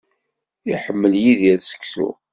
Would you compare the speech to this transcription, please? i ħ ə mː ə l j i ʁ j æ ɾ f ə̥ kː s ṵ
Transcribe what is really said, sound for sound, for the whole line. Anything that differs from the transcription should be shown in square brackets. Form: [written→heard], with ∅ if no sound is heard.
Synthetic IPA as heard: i ħ ə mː ə l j i [ʁ→ð] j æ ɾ [f→s] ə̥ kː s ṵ